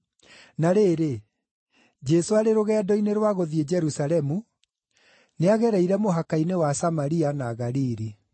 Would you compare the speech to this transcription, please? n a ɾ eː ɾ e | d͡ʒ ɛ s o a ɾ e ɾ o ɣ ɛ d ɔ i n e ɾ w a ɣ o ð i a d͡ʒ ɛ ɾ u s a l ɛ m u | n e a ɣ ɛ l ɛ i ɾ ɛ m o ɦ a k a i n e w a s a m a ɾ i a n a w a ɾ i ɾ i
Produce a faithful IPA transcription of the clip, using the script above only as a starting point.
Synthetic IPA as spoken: n a ɾ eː ɾ e | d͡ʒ ɛ s o a ɾ e ɾ o ɣ ɛ d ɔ i n e ɾ w a ɣ o ð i e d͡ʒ ɛ ɾ u s a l ɛ m u | n e a ɣ ɛ ɾ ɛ i ɾ ɛ m o ɦ a k a i n e w a s a m a ɾ i a n a ɣ a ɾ i ɾ i